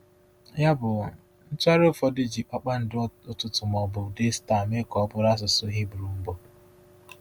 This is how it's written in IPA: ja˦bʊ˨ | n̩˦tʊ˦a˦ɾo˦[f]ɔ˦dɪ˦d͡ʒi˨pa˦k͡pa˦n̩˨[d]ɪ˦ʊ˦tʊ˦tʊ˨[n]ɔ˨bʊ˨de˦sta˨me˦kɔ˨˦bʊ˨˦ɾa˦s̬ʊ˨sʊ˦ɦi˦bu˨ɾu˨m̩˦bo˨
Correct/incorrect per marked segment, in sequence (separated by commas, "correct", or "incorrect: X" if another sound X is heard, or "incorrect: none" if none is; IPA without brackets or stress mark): correct, correct, incorrect: m